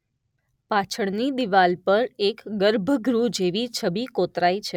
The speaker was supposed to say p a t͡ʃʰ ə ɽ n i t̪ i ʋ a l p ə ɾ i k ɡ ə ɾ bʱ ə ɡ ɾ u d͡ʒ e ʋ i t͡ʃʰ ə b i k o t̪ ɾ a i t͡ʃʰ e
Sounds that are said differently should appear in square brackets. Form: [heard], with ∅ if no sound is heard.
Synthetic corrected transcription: p a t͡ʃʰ ə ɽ n i [d̪] i ʋ a l p ə ɾ [e] k ɡ ə ɾ bʱ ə ɡ ɾ u d͡ʒ e ʋ i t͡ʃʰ ə b i k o t̪ ɾ a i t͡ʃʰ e

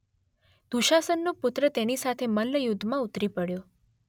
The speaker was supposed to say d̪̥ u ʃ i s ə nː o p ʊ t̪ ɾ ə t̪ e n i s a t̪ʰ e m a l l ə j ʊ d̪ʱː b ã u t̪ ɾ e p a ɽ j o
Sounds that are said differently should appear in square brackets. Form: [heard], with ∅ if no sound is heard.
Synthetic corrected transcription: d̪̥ u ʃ [a] s ə nː o p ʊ t̪ ɾ ə t̪ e n i s a t̪ʰ e m [ə] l l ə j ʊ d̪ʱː [m] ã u t̪ ɾ [i] p [ə] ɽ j o

